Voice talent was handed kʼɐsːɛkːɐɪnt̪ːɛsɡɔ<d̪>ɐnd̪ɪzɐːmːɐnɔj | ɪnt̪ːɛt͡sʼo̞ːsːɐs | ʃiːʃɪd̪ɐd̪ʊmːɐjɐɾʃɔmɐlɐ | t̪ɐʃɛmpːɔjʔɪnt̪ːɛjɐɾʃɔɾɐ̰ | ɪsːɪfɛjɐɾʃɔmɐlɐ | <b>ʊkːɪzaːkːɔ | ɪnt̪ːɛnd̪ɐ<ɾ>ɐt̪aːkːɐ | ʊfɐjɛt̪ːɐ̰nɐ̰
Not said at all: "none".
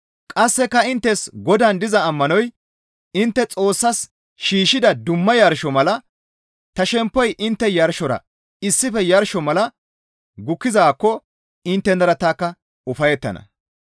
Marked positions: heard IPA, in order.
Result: d̪, ɡ, ɾ

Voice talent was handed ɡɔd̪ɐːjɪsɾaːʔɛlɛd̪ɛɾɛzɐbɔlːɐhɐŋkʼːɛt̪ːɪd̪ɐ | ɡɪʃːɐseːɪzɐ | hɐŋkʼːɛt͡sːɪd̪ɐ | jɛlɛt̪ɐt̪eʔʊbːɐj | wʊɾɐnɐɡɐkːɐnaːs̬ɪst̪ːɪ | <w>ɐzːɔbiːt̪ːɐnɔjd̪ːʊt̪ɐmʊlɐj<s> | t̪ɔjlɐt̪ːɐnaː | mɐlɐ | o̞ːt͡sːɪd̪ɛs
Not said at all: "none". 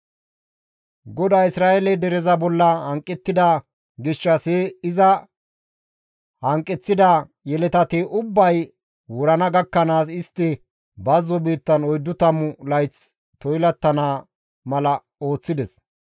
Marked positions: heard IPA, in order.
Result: b, t͡s

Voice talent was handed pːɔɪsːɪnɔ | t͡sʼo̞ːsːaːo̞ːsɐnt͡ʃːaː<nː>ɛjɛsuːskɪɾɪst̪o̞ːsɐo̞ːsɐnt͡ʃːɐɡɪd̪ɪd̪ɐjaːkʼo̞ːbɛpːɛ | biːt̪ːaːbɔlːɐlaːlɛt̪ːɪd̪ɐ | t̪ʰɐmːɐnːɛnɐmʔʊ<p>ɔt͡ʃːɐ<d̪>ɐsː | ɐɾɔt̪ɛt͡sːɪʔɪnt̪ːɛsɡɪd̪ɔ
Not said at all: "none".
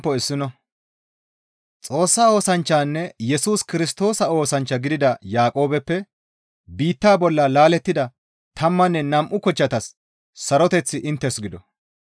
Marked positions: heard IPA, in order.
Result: nː, k, t̪

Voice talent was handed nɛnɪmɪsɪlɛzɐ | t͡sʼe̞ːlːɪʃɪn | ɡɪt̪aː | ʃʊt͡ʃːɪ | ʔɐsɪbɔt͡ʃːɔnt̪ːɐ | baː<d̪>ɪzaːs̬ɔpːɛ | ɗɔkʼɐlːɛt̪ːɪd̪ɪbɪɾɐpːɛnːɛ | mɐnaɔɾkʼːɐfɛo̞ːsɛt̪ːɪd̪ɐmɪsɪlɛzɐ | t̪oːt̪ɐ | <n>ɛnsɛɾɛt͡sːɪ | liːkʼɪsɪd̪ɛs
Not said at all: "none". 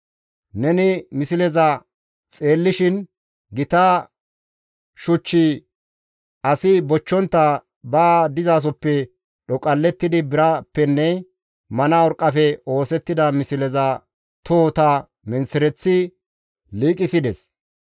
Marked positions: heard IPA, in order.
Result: d̪, m

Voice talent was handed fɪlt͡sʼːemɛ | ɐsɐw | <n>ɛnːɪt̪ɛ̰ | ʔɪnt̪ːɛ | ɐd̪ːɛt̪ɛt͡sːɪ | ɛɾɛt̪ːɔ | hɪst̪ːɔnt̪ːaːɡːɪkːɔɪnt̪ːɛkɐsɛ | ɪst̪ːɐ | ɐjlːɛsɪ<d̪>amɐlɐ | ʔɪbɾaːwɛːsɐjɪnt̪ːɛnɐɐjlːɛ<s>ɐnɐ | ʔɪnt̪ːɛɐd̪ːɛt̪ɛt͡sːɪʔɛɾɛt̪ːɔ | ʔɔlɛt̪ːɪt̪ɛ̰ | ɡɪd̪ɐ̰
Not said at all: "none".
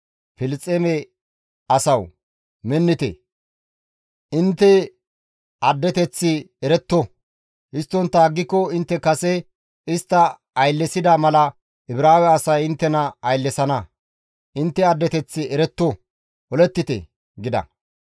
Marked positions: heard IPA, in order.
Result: m, d̪, s

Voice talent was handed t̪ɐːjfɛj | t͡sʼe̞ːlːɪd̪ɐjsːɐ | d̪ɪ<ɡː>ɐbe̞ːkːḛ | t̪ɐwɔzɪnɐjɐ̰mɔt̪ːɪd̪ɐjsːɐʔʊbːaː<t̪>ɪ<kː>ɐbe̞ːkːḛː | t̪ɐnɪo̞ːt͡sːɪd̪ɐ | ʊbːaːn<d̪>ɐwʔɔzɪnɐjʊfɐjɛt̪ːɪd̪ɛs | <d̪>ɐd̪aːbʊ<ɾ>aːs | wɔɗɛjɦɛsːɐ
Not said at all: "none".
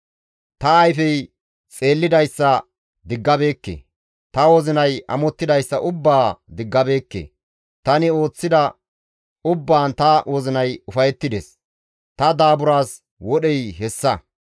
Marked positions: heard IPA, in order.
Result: ɡː, d̪, ɡː, t̪, t̪, ɾ

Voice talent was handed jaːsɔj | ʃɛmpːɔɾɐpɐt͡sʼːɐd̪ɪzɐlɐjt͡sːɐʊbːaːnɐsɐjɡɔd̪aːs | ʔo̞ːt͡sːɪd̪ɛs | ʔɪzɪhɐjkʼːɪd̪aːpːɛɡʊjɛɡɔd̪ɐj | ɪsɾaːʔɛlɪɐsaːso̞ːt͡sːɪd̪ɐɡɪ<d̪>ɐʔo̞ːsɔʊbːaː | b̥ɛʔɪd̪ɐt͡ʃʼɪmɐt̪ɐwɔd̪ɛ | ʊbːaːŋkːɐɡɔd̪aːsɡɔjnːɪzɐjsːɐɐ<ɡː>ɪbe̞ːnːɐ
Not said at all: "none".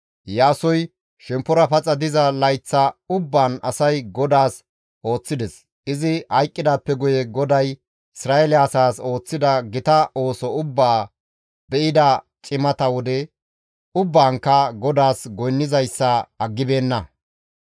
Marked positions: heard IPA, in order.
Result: t̪, ɡː

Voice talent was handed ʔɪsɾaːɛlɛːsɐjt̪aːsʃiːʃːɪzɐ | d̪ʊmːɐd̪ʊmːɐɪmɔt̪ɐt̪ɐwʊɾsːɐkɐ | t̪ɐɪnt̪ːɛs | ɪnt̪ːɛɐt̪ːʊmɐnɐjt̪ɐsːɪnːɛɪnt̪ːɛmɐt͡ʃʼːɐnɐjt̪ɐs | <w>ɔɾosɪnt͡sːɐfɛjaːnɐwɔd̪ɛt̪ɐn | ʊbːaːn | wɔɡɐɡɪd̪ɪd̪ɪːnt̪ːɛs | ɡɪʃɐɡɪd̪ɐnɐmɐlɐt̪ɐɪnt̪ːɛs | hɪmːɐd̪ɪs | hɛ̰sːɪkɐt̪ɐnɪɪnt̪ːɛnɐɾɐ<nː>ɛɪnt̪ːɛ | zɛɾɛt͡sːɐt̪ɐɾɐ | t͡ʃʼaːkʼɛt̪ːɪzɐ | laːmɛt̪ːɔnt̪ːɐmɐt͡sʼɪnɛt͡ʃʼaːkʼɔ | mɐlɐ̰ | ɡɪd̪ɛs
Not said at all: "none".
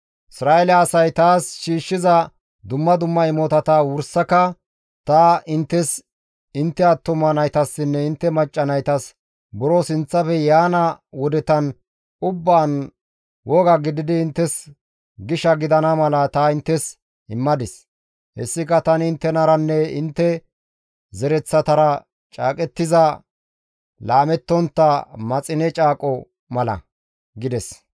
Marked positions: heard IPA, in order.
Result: b, nː

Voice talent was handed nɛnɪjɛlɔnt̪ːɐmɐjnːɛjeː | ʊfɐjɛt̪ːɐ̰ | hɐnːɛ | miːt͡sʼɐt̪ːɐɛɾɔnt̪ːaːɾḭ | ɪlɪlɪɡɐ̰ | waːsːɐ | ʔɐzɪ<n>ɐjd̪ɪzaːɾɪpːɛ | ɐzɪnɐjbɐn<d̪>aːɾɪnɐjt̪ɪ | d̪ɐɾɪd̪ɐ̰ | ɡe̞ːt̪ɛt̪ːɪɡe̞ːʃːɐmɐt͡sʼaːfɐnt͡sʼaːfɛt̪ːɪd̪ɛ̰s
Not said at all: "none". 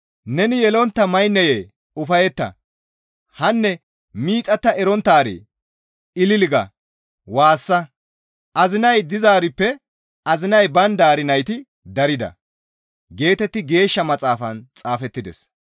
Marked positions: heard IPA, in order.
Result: n, d̪

